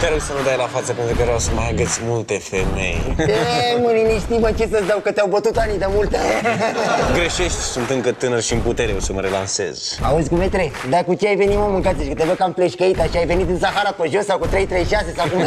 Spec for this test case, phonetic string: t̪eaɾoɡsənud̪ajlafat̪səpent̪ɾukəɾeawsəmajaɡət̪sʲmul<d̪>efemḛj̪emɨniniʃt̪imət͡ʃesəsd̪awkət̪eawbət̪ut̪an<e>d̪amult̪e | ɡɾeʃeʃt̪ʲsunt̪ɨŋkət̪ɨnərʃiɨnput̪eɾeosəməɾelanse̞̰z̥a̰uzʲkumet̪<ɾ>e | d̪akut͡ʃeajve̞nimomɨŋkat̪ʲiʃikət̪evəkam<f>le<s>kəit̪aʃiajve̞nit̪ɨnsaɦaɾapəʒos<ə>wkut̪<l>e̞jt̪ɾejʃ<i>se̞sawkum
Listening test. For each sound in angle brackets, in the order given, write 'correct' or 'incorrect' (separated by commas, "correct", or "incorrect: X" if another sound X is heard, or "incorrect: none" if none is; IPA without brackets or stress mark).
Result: incorrect: t̪, incorrect: i, correct, correct, incorrect: ʃ, incorrect: a, incorrect: ɾ, incorrect: a